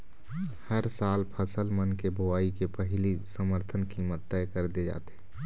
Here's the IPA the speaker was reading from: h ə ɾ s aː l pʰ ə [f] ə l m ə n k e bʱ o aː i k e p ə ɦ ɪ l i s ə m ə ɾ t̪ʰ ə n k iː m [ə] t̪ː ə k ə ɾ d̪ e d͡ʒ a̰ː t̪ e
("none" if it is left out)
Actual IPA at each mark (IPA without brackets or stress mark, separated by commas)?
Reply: s, ə